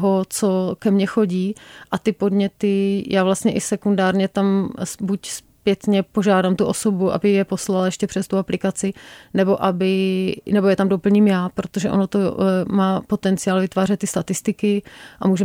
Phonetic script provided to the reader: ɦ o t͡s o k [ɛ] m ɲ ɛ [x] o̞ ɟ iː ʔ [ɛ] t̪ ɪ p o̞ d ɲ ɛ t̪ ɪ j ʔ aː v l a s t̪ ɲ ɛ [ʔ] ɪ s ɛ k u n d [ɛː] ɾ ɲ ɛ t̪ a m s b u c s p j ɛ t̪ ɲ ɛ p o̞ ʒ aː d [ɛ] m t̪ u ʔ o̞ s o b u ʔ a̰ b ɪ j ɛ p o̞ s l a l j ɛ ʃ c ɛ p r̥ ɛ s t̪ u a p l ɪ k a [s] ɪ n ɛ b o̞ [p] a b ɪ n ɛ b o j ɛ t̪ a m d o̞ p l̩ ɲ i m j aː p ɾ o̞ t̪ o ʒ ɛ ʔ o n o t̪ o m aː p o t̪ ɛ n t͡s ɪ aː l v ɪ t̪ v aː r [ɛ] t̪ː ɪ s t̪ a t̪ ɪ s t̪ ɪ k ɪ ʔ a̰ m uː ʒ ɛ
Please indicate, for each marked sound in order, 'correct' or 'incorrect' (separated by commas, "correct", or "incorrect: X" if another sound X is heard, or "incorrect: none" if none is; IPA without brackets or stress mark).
correct, correct, incorrect: a, correct, incorrect: aː, incorrect: a, incorrect: t͡s, incorrect: ʔ, correct